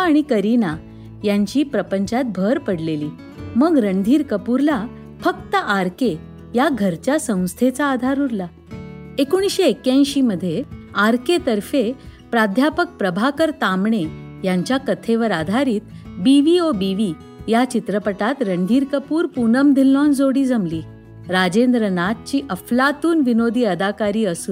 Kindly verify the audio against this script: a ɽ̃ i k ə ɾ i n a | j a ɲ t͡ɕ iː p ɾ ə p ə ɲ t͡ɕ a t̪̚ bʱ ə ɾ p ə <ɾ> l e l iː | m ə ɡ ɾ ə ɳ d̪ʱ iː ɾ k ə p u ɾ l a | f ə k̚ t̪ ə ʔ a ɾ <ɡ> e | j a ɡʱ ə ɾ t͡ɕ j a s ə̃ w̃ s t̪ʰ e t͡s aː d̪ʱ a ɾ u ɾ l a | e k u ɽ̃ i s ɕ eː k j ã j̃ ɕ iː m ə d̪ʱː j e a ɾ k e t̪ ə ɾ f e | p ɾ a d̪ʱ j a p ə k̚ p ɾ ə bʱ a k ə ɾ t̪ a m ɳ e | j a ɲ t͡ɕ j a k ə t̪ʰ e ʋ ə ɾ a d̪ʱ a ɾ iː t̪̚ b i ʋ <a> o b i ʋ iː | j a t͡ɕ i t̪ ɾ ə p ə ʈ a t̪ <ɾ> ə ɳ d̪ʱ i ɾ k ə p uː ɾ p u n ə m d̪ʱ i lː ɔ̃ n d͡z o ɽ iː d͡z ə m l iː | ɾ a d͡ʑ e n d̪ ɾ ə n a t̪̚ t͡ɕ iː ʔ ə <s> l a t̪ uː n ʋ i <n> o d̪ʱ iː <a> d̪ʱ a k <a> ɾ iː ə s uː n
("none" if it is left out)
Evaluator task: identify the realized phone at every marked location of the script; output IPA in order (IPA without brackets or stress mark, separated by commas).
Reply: ɽ, k, i, ɾ, f, n, ə, a